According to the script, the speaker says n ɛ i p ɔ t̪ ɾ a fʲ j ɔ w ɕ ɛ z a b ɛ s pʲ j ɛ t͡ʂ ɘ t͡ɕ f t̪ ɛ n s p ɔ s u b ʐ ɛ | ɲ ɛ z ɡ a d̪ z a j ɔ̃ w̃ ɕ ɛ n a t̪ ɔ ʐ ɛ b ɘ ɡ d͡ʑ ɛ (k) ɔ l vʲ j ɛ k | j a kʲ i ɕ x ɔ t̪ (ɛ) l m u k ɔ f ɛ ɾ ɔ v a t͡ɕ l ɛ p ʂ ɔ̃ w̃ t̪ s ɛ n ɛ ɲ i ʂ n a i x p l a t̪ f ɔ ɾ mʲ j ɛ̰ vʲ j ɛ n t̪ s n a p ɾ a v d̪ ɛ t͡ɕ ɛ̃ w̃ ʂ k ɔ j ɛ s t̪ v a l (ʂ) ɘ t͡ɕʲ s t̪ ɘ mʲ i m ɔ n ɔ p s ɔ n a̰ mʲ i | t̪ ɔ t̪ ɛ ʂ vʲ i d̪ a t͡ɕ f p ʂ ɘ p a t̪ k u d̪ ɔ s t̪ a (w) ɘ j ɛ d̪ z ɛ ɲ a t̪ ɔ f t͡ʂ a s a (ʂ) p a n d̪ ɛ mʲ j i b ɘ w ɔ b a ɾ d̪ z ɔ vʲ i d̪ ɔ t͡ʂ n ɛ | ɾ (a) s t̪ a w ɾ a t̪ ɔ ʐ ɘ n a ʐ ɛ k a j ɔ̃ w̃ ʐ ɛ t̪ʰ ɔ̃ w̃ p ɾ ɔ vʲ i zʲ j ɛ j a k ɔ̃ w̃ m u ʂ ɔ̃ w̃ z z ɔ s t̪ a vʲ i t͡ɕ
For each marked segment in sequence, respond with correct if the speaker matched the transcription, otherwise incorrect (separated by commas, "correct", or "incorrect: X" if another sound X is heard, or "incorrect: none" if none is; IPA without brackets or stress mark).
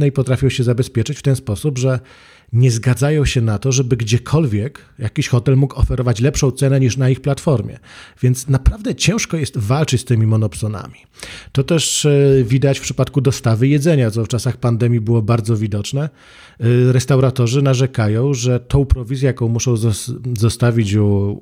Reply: incorrect: kʰ, correct, incorrect: t͡ʂ, incorrect: v, incorrect: x, incorrect: ɛ